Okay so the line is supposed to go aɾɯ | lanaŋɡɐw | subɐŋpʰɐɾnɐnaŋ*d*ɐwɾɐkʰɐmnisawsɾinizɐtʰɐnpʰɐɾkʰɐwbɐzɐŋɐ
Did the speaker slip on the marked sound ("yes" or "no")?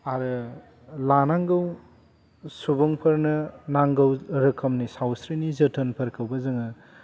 yes